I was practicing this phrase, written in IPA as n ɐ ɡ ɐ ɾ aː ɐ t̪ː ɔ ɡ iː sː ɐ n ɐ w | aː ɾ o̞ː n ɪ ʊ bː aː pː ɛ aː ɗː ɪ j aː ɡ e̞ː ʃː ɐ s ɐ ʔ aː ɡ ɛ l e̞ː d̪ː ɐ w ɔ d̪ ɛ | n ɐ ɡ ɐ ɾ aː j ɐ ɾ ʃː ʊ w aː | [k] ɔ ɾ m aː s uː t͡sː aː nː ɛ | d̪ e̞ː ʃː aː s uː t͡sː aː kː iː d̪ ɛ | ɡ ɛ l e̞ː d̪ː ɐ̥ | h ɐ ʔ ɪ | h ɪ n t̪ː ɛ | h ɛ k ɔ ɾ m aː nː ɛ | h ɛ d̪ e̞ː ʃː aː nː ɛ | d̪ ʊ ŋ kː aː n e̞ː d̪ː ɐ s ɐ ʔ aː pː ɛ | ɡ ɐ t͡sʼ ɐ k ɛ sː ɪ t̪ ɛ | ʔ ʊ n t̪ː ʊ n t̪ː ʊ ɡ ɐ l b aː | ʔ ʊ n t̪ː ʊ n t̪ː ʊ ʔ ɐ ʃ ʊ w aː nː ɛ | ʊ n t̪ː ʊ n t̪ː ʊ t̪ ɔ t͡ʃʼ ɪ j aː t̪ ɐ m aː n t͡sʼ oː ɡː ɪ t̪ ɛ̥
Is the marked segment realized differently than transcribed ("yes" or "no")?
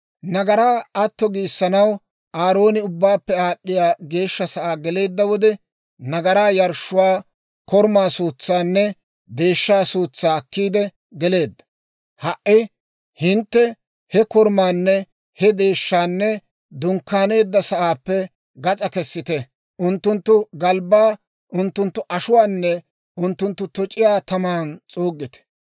no